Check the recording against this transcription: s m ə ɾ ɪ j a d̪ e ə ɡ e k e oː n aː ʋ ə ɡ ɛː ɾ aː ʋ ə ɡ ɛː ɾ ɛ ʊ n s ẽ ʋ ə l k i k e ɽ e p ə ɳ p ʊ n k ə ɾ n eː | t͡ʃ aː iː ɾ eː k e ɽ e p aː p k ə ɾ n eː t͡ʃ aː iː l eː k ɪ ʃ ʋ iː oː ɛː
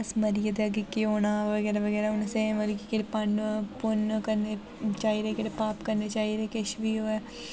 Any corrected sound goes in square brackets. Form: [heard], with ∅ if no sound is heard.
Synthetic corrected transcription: s m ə ɾ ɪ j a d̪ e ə ɡ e k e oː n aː ʋ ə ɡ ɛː ɾ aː ʋ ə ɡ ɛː ɾ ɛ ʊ n s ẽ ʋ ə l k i k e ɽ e p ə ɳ p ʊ n k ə ɾ n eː | t͡ʃ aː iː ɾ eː k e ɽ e p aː p k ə ɾ n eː t͡ʃ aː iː [ɾ] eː k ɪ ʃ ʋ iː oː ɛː